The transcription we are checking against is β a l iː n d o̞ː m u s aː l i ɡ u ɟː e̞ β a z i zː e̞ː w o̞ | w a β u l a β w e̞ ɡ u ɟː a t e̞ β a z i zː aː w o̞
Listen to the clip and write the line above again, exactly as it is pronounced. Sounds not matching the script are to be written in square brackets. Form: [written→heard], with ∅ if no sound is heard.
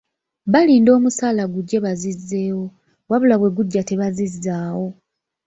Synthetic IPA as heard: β a l iː n d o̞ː m u s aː l [i→a] ɡ u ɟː e̞ β a z i zː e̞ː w o̞ | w a β u l a β w e̞ ɡ u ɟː a t e̞ β a z i zː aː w o̞